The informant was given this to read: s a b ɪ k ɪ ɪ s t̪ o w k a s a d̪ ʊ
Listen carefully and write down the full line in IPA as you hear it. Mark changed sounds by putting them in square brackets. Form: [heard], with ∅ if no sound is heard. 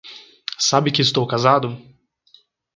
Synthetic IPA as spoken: s a b ɪ k ɪ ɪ s t̪ o w k a [z] a d̪ ʊ